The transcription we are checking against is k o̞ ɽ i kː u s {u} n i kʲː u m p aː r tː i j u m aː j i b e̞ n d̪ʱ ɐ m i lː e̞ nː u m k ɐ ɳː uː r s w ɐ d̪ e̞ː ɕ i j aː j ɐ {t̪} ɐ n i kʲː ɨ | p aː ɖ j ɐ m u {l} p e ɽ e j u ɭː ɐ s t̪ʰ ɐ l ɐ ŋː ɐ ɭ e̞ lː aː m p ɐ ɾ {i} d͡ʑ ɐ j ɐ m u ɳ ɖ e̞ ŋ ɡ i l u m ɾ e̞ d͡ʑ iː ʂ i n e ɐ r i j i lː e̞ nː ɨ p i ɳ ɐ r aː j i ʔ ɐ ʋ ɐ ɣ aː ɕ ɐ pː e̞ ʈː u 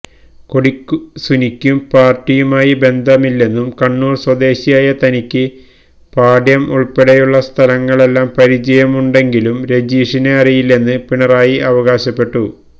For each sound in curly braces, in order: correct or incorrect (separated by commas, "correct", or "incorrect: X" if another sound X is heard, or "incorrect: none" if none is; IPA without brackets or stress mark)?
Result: correct, correct, incorrect: ɭ, correct